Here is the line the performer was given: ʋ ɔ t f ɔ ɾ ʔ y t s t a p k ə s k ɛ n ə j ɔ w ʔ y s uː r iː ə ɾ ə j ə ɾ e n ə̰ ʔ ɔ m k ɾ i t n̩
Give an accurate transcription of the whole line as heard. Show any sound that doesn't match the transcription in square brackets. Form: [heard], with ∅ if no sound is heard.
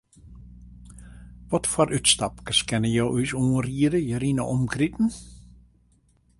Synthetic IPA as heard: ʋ ɔ t f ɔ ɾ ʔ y t s t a p k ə s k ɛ n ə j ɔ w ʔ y s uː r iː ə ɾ ə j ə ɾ [i] n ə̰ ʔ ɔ m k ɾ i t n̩